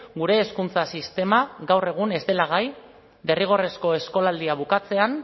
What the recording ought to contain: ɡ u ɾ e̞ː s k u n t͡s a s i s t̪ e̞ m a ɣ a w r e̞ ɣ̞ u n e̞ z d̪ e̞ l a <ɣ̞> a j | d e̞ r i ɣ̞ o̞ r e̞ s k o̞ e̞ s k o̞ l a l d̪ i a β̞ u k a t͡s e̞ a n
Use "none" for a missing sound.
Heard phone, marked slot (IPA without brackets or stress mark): ɣ̞